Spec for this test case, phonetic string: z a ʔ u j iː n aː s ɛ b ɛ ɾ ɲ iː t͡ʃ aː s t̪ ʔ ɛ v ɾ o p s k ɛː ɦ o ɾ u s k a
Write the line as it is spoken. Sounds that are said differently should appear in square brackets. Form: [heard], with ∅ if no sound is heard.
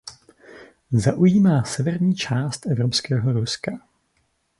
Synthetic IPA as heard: z a ʔ u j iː [m] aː s ɛ [v] ɛ ɾ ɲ iː t͡ʃ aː s t̪ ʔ ɛ v ɾ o p s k ɛː ɦ o ɾ u s k a